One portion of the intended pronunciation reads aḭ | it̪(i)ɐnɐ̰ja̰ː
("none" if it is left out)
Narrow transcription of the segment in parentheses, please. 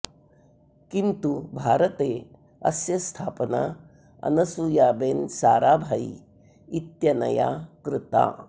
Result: j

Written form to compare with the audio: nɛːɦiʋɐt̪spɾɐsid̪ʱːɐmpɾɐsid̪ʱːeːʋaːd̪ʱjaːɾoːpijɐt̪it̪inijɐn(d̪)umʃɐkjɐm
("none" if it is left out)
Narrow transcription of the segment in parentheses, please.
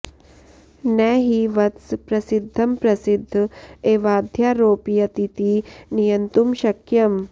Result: t̪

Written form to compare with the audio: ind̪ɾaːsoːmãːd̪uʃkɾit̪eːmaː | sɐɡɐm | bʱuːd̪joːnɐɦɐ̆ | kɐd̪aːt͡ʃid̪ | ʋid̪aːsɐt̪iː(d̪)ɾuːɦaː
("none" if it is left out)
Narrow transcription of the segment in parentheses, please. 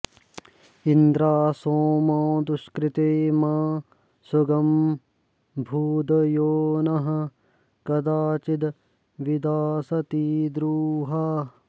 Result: d̪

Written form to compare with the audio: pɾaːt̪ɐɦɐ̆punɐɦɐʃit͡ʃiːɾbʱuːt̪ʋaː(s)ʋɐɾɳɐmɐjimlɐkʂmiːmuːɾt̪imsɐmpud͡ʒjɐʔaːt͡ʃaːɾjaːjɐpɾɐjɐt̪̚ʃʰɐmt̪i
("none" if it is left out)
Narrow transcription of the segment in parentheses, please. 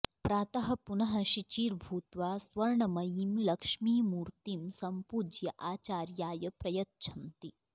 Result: s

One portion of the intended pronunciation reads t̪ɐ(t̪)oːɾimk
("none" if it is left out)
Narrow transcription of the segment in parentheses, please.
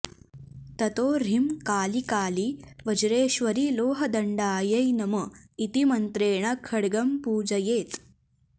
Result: t̪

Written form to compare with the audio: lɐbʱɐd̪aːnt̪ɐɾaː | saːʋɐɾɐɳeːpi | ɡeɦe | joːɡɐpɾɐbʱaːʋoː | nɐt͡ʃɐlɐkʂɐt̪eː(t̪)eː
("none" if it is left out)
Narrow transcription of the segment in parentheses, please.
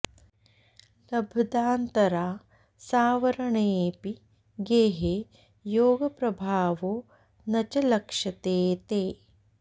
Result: t̪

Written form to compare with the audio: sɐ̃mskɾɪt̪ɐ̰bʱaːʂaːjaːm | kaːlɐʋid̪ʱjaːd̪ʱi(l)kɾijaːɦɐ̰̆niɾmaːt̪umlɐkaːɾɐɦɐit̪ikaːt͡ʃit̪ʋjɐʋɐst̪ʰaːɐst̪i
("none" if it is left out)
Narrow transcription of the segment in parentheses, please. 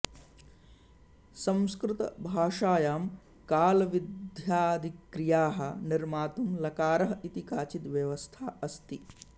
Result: none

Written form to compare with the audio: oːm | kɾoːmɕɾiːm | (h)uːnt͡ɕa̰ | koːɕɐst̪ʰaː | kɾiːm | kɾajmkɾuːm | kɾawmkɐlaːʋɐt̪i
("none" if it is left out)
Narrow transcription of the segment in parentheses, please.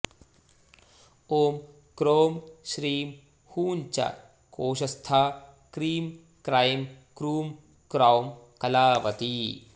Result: h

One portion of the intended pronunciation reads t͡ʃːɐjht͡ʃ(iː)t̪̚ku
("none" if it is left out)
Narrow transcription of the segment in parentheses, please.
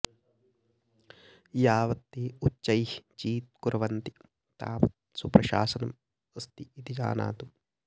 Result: iː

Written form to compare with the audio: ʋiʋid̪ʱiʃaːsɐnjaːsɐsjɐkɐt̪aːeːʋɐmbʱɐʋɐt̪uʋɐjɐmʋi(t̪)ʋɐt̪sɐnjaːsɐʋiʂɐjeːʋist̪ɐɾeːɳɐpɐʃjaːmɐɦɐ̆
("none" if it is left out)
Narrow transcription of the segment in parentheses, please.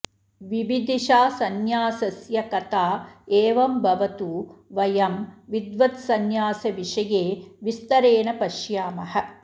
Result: d̪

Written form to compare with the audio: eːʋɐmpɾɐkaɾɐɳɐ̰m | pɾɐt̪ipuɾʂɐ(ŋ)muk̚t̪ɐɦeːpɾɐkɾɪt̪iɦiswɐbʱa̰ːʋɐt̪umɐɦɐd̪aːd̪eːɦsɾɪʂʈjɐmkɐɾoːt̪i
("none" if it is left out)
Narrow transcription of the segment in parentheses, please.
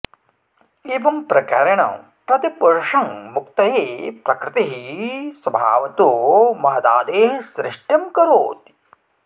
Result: ŋ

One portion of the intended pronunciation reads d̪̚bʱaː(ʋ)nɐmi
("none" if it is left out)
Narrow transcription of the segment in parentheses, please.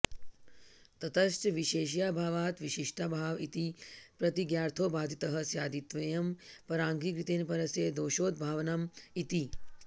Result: ʋ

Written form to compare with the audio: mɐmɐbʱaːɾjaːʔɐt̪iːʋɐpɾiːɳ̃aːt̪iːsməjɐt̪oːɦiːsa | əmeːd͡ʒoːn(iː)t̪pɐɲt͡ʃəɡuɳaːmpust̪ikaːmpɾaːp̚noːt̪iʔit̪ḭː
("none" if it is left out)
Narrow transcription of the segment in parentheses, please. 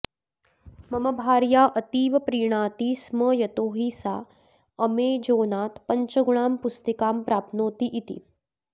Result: aː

